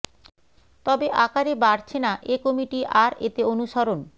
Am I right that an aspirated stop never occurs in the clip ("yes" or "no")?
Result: no